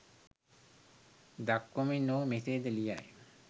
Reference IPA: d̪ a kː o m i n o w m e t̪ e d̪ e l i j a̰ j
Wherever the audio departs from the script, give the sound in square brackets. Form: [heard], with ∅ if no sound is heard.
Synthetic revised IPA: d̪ a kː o m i n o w m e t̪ e d̪ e l i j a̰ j